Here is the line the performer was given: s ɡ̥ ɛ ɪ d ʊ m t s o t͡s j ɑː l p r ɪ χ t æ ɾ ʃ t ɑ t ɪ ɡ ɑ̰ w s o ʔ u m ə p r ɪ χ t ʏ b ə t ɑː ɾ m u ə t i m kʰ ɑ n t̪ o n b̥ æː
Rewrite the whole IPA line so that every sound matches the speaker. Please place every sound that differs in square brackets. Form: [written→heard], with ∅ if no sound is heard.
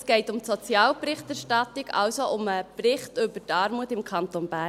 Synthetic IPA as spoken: s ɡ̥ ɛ ɪ [d→t] ʊ m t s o t͡s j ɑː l p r ɪ χ t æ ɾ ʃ t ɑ t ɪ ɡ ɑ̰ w s o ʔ [u→ʊ] m ə p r ɪ χ t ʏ b ə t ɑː ɾ m u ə t [i→ɪ] m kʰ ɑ n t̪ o n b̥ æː